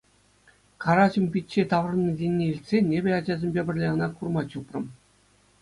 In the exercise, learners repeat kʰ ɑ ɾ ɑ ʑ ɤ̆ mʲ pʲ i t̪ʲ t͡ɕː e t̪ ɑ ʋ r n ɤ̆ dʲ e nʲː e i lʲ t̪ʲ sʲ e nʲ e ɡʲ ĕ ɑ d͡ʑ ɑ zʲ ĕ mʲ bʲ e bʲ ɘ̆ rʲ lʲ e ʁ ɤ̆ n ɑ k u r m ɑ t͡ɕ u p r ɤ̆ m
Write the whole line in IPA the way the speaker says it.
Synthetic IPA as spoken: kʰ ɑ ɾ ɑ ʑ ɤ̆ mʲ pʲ i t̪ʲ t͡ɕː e t̪ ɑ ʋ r n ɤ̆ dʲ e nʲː e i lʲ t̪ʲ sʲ e nʲ e bʲ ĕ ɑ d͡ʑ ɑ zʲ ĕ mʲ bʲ e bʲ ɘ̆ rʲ lʲ e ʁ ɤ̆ n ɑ k u r m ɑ t͡ɕ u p r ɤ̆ m